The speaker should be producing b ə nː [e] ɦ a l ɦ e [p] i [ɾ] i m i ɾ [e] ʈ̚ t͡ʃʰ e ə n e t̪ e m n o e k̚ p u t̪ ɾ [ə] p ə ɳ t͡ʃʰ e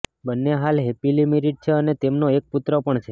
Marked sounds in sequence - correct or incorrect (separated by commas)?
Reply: correct, correct, incorrect, incorrect, correct